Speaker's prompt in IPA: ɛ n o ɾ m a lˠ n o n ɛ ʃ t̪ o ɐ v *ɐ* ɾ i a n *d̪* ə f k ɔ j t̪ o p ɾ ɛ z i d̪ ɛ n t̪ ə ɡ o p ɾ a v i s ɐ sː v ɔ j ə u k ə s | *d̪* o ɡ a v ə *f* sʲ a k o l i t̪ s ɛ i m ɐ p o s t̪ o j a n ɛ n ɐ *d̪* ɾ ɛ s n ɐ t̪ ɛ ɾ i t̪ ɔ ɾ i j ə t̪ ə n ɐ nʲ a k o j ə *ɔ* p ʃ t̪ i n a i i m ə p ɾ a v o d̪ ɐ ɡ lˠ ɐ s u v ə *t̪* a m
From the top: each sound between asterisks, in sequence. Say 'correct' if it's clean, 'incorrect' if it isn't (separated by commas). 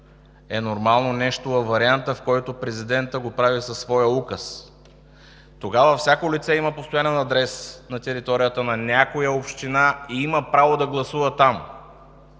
correct, incorrect, incorrect, correct, correct, incorrect, correct